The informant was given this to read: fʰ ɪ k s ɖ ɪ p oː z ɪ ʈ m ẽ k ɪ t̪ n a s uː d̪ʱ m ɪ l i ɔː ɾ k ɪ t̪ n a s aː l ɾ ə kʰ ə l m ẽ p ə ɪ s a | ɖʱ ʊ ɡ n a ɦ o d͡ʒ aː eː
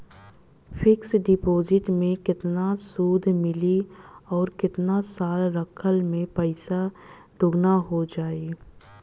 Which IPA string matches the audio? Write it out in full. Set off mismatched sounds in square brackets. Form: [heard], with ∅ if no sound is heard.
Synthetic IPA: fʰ ɪ k s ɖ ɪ p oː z ɪ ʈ m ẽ k ɪ t̪ n a s uː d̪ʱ m ɪ l i ɔː ɾ k ɪ t̪ n a s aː l ɾ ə kʰ ə l m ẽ p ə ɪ s a | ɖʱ ʊ ɡ n a ɦ o d͡ʒ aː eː